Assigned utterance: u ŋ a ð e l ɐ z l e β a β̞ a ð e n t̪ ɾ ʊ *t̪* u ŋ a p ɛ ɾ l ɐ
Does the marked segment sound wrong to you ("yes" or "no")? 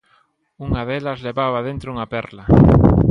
yes